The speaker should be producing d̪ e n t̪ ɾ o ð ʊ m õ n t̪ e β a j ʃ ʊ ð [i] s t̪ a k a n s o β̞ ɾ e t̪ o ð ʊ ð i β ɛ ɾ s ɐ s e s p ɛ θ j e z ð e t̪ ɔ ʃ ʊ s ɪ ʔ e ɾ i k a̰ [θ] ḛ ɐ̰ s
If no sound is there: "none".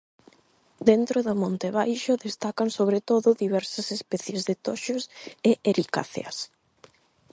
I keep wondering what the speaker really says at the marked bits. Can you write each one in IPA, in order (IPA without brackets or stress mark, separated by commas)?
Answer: e, θ